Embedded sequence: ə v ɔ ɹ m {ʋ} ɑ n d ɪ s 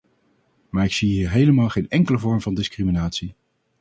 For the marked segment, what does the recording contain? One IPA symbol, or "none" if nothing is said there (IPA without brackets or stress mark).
v